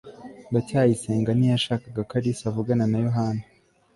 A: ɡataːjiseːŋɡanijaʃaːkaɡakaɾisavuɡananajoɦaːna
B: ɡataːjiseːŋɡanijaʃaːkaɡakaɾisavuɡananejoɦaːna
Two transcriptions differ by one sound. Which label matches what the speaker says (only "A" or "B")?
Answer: A